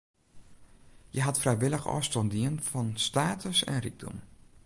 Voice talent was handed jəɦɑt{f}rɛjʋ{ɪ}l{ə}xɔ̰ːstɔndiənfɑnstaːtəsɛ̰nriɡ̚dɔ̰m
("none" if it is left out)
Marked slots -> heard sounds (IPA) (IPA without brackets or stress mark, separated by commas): f, ɪ, ə